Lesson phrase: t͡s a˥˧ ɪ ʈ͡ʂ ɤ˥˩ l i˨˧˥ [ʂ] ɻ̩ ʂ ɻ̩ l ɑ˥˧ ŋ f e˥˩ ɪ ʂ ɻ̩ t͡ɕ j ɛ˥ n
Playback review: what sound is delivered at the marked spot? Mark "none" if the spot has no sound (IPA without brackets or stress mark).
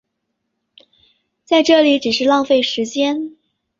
ʈ͡ʂ